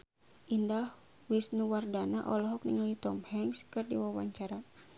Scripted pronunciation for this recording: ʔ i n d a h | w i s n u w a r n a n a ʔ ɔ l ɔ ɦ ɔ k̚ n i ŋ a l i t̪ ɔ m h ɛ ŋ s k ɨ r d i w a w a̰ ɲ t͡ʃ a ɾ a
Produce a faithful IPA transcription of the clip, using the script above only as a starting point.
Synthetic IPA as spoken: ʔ i n d a h | w i s n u w a r d a n a ʔ ɔ l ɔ ɦ ɔ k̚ n i ŋ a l i t̪ ɔ m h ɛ ŋ s k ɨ r d i w a w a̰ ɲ t͡ʃ a ɾ a